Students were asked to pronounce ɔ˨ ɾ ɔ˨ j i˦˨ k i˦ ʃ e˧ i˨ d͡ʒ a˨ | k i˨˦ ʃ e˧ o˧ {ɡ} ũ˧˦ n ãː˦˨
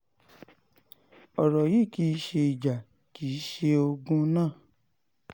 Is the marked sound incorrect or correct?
correct